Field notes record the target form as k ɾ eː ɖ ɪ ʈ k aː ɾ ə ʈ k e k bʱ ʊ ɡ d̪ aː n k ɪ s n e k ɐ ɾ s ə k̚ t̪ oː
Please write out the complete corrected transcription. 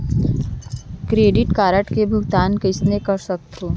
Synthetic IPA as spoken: k ɾ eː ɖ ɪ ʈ k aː ɾ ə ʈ k e bʱ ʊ ɡ t̪ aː n k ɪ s n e k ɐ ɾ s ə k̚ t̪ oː